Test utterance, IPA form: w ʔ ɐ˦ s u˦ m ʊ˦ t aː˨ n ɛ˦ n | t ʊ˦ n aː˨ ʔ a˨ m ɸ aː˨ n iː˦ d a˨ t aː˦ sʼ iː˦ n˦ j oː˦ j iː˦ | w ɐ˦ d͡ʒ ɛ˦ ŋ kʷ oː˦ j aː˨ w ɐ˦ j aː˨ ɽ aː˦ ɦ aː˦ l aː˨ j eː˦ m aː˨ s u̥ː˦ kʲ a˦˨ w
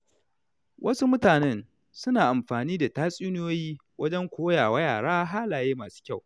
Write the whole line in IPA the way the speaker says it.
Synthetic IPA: w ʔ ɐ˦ s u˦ m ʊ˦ t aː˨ n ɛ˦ n | s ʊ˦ n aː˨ ʔ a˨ m ɸ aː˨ n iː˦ d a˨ t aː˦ sʼ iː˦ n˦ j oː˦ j iː˦ | w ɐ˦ d͡ʒ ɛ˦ ŋ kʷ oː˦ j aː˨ w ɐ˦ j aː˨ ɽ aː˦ ɦ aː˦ l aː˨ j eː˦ m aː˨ s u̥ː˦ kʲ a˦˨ w